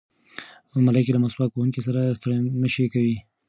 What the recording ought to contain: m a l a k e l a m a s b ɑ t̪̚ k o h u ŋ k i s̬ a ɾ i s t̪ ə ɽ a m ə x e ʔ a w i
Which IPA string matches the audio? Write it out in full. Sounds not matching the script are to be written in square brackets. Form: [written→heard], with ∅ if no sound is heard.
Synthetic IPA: m a l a k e l a m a s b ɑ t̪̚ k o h u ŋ k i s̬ a ɾ [i→a] s t̪ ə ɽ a m ə [x→ʃ] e [ʔ→k] a w i